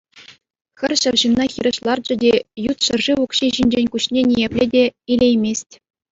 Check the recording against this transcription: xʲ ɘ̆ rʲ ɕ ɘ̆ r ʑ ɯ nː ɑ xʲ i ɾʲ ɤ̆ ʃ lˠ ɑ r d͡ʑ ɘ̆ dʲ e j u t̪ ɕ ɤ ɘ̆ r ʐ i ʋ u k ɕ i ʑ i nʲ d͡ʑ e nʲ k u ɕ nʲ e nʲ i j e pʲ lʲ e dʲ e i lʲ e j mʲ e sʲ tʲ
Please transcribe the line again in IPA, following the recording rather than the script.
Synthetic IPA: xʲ ɘ̆ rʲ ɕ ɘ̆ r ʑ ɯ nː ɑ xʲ i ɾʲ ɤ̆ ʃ lˠ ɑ r d͡ʑ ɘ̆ dʲ e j u t̪ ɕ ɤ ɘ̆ r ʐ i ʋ u k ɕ i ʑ i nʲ d͡ʑ e nʲ k u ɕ nʲ e nʲ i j e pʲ lʲ e dʲ e i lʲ e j mʲ e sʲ tʲ